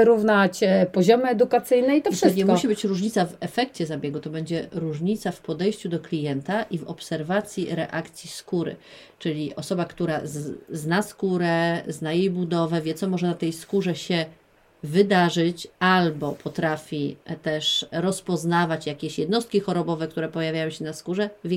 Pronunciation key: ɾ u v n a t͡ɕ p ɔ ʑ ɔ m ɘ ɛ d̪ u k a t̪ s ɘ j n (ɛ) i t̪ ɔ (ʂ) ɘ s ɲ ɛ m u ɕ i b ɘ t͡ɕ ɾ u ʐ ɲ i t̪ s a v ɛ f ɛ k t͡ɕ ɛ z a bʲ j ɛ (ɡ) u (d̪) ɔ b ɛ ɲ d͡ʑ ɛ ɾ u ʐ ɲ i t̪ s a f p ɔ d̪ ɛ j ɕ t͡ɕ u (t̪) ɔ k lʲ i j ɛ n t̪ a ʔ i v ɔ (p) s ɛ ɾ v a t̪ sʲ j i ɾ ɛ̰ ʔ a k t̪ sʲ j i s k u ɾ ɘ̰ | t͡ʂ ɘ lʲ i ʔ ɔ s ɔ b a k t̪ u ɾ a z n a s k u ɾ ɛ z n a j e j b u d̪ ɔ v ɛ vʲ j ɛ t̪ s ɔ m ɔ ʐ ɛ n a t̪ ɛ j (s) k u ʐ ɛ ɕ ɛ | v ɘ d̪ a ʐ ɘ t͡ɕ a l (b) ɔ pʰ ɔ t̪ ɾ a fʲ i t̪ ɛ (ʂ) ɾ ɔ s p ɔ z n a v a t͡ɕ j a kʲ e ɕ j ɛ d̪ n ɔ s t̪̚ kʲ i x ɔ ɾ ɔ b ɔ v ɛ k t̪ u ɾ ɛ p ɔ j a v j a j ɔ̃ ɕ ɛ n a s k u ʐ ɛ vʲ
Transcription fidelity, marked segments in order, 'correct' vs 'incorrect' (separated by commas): correct, correct, correct, incorrect, incorrect, correct, correct, correct, correct